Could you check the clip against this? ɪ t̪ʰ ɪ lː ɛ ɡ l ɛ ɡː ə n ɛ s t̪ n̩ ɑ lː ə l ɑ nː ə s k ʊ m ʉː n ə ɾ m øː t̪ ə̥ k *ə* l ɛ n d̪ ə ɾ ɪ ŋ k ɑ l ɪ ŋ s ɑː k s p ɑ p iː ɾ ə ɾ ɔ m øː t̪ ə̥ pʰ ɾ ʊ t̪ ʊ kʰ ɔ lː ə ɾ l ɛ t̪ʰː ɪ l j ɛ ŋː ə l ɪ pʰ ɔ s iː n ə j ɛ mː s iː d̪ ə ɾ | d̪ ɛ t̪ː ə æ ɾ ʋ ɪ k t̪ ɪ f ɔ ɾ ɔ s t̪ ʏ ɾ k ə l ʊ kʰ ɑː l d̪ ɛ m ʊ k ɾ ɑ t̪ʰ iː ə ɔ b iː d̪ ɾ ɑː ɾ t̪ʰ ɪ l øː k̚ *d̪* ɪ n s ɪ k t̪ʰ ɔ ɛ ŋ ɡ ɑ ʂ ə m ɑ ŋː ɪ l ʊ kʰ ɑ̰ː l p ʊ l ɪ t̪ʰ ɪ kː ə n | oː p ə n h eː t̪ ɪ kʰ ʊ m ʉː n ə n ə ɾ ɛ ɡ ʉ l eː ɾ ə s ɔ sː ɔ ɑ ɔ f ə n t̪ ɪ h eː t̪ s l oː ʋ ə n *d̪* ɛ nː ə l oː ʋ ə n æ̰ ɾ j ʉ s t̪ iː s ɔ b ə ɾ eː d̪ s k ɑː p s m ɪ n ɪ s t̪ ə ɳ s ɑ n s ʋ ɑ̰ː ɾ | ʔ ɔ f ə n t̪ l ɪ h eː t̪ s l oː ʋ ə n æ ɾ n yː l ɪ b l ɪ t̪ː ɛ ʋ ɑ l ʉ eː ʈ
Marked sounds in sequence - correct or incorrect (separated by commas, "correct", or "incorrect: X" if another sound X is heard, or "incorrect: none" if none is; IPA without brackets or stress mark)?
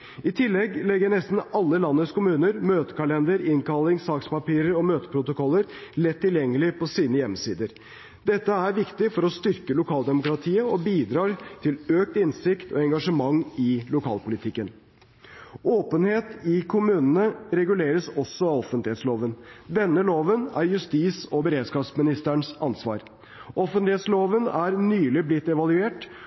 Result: incorrect: ɑ, incorrect: t̪, correct